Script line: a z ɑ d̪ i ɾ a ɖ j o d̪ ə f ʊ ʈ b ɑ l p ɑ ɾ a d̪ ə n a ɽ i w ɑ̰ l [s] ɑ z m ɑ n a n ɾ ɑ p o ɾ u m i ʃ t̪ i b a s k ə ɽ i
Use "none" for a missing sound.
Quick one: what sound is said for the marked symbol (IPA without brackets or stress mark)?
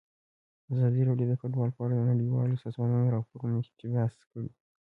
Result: s